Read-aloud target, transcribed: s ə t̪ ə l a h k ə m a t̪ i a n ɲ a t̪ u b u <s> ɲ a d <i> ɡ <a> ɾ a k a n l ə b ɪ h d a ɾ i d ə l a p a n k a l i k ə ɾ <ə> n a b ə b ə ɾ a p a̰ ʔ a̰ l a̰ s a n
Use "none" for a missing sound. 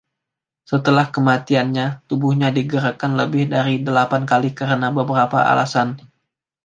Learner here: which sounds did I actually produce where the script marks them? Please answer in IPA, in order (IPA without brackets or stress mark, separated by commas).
h, i, ə, ə